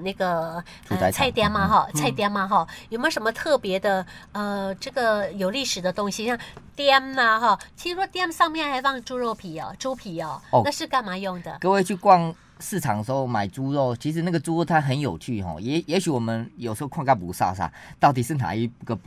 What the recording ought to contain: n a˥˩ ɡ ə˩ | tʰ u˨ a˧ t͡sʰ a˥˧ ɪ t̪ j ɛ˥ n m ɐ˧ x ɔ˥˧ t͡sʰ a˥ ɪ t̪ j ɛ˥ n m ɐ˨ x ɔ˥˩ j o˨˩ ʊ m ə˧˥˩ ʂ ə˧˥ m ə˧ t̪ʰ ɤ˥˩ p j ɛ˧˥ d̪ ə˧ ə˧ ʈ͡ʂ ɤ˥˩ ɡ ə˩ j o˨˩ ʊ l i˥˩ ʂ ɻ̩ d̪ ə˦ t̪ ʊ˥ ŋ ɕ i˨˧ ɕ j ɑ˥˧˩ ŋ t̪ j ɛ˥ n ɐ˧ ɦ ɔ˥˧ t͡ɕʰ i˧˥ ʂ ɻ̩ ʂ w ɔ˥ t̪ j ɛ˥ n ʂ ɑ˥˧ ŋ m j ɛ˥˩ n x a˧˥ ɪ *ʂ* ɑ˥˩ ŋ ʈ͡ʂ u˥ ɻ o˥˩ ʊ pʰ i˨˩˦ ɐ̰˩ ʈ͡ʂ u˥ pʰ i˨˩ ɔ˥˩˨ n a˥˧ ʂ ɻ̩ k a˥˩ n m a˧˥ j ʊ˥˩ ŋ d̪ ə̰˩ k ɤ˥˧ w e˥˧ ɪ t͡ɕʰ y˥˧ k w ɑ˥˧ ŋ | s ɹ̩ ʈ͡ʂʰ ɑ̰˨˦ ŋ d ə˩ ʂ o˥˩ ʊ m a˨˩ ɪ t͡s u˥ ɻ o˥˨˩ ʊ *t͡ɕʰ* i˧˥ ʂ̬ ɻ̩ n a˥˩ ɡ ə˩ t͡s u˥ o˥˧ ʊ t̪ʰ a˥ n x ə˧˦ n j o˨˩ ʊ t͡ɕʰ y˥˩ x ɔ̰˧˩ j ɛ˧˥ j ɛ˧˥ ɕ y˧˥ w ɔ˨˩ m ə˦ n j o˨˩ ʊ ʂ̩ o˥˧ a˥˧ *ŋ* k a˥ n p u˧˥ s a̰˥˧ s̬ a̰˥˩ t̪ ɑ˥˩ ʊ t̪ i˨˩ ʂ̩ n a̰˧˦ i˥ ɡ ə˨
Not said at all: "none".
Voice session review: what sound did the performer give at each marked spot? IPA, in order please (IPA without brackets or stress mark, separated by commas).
f, t͡ɕʰ, ŋ